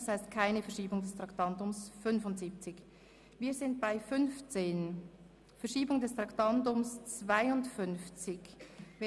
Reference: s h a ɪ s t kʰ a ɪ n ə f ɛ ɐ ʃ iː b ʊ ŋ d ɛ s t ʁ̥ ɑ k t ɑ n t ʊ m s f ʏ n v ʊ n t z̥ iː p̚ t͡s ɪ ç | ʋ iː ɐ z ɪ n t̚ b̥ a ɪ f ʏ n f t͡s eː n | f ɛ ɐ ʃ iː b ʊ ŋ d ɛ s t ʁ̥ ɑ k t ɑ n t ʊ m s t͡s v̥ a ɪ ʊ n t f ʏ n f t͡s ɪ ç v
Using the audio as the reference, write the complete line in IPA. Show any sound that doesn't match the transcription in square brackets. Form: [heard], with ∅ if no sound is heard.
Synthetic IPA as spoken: s h a ɪ s t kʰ a ɪ n ə f ɛ ɐ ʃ iː b ʊ ŋ d ɛ s t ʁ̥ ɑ k t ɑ n t ʊ m s f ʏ n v ʊ n t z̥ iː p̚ t͡s ɪ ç | [v] iː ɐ z ɪ n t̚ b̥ a ɪ f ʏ n f t͡s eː n | f ɛ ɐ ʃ iː b ʊ ŋ d ɛ s t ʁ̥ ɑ k t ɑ n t ʊ m s t͡s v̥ a ɪ ʊ n t f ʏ n f t͡s ɪ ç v